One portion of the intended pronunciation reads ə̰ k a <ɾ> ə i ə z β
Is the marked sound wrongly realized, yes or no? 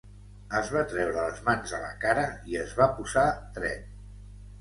no